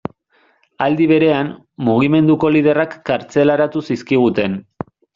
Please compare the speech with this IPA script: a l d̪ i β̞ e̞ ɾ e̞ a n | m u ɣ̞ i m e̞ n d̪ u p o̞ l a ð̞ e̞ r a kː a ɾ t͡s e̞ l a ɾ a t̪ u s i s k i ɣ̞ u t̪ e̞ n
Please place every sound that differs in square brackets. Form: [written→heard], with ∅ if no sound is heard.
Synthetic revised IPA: a l d̪ i β̞ e̞ ɾ e̞ a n | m u ɣ̞ i m e̞ n d̪ u [p→k] o̞ l [a→i] ð̞ e̞ r a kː a ɾ t͡s e̞ l a ɾ a t̪ u s i s k i ɣ̞ u t̪ e̞ n